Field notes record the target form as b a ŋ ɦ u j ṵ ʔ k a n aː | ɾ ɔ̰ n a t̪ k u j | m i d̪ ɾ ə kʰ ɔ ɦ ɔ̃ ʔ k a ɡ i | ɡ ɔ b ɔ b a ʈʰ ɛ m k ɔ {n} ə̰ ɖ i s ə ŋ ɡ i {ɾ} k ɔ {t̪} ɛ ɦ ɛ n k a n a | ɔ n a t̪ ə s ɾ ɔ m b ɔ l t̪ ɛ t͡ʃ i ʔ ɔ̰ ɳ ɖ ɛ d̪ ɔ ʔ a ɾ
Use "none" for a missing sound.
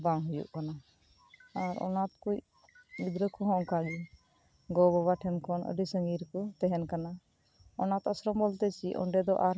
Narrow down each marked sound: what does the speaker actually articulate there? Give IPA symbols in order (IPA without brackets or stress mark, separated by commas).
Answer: n, ɾ, t̪